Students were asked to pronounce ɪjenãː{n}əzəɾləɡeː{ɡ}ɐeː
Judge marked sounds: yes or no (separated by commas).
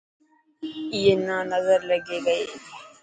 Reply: yes, yes